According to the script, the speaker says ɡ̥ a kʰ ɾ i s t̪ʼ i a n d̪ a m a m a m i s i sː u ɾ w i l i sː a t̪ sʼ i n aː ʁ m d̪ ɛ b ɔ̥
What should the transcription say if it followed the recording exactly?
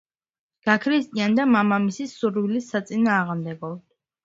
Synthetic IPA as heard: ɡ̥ a kʰ ɾ i s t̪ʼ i a n d̪ a m a m a m i s i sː u ɾ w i l i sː a t̪ sʼ i n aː ʁ m d̪ ɛ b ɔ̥